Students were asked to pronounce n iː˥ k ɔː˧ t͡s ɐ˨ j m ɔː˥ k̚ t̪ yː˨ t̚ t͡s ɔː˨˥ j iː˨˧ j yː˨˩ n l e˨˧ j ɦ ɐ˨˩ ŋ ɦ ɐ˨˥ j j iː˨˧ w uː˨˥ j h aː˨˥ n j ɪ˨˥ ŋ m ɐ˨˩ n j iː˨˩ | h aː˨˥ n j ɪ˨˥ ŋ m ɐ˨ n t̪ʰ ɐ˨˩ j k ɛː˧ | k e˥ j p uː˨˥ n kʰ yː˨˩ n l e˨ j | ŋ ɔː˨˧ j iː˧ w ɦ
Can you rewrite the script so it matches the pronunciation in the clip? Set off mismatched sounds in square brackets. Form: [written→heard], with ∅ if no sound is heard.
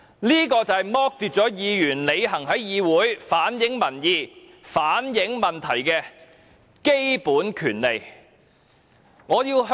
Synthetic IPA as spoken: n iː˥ k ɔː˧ t͡s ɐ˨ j m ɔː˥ k̚ t̪ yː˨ t̚ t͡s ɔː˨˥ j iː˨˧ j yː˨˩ n l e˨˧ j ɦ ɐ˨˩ ŋ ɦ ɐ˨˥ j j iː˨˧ w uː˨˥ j [h→f] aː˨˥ n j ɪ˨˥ ŋ m ɐ˨˩ n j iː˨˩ | [h→f] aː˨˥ n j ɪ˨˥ ŋ m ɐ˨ n t̪ʰ ɐ˨˩ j k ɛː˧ | k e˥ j p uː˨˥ n kʰ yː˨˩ n l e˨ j | ŋ ɔː˨˧ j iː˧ w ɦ